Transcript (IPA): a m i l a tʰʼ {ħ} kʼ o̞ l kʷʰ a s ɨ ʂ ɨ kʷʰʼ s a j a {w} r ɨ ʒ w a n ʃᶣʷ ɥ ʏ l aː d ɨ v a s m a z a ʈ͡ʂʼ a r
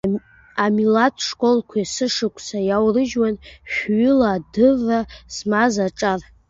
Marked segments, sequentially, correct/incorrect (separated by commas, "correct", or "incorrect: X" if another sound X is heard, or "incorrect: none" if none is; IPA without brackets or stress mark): incorrect: ʂ, correct